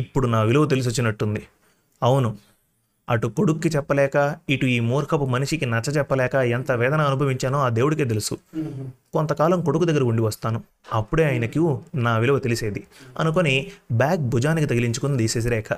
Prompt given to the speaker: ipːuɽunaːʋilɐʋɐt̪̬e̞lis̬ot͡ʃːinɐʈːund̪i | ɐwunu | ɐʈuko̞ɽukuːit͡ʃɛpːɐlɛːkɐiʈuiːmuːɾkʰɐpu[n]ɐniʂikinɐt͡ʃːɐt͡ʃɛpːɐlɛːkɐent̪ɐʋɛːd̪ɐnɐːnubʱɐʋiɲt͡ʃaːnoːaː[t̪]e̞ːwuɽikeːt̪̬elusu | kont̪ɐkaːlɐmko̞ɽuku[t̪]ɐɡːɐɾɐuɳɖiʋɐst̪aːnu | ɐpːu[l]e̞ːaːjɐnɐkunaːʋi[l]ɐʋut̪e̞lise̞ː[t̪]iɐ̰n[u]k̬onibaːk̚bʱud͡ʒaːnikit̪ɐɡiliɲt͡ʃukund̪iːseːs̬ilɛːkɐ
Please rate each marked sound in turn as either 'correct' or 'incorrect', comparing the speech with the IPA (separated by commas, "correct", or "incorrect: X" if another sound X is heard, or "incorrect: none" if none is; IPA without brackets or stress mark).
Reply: incorrect: m, incorrect: d̪, incorrect: d̪, incorrect: ɽ, correct, incorrect: d̪, correct